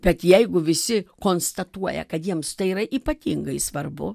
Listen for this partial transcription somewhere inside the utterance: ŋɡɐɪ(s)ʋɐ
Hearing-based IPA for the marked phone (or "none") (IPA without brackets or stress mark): s